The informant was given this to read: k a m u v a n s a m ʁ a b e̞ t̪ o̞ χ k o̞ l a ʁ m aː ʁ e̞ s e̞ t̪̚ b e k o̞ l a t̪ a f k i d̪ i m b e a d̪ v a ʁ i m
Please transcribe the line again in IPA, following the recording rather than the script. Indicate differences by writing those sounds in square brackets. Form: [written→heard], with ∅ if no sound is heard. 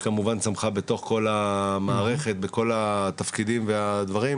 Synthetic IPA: k a m u v a n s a m [ʁ→χ] a b e̞ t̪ o̞ χ k o̞ l a [ʁ→∅] m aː ʁ e̞ [s→χ] e̞ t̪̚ b e k o̞ l a t̪ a f k i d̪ i m [b→v] e a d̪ v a ʁ i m

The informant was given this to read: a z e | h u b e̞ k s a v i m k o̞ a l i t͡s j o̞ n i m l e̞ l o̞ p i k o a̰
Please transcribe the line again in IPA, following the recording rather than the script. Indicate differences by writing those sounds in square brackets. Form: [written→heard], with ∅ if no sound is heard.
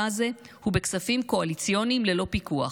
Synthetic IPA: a z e | h u b e̞ k s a [v→f] i m k o̞ a l i t͡s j o̞ n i m l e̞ l o̞ p i k [o→u] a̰

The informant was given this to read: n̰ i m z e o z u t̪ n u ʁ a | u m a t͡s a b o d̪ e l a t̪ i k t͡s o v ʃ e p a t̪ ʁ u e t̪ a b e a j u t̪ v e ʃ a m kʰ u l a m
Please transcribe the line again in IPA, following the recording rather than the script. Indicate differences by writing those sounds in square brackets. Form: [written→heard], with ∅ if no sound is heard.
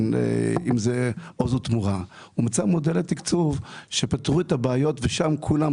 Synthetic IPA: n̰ i m z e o z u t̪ [n→m] u ʁ a | u m a t͡s a [b→m] o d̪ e l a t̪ i k t͡s [o→u] v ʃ e p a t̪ ʁ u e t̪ a b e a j [u→o] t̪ v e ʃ a m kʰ u l a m

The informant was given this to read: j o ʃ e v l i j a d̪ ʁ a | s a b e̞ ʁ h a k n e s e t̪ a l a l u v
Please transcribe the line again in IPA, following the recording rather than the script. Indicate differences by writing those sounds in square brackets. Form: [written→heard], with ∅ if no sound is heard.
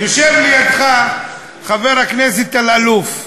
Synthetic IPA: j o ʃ e v l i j a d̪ [ʁ→χ] a | [s→χ] a [b→v] e̞ ʁ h a k n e s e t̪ a l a l u [v→f]

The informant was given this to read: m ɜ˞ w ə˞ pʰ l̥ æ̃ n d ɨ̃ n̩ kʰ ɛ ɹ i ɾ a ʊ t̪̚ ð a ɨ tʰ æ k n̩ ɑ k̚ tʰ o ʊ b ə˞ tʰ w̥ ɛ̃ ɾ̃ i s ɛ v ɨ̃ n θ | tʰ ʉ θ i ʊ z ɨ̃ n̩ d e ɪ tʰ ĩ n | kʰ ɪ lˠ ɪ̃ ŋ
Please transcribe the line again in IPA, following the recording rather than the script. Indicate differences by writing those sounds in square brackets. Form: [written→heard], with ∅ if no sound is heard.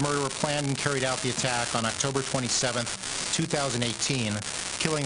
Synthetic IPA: m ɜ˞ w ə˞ pʰ l̥ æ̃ n d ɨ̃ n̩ kʰ ɛ ɹ i ɾ a ʊ t̪̚ ð [a→i] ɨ tʰ æ k n̩ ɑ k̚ tʰ o ʊ b ə˞ tʰ w̥ ɛ̃ ɾ̃ i s ɛ v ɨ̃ n θ | tʰ ʉ θ [i→a] ʊ z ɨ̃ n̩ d e ɪ tʰ ĩ n | kʰ ɪ lˠ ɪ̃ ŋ

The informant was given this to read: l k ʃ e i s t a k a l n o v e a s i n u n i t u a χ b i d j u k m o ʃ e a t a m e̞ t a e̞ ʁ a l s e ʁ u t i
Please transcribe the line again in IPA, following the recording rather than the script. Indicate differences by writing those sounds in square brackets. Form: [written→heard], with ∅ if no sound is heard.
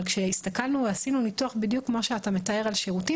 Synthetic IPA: l k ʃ e i s t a k a l n [o→u] v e a s i n u n i t u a χ b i d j u k m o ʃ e a t a m e̞ t a e̞ ʁ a l [s→ʃ] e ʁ u t i

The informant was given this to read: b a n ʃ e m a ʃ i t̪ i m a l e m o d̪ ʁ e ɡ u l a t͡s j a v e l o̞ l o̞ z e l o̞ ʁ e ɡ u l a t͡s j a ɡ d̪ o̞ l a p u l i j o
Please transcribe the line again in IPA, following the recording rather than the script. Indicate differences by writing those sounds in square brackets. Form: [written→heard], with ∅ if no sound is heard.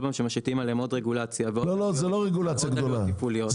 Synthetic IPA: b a [n→m] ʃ e m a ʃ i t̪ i m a l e m o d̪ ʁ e ɡ u l a t͡s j a v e l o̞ l o̞ z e l o̞ ʁ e ɡ u l a t͡s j a ɡ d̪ o̞ l a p u l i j o

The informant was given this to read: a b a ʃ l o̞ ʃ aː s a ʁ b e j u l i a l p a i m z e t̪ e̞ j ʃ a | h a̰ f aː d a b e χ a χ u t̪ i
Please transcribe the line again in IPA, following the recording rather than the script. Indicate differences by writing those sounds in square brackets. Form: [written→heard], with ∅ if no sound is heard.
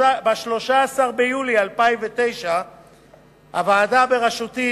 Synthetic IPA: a b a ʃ l o̞ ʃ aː s a ʁ b e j u l i a l p a i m [z→v] e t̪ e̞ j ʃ a | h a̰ [f→v] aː d a b e [χ→ʁ] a [χ→ʃ] u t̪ i

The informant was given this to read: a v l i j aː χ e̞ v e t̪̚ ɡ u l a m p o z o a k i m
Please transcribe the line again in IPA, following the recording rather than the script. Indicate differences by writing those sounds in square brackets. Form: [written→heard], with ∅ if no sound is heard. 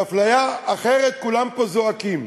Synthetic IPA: a [v→f] l [i→a] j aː χ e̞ [v→ʁ] e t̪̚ [ɡ→k] u l a m p o z o a k i m

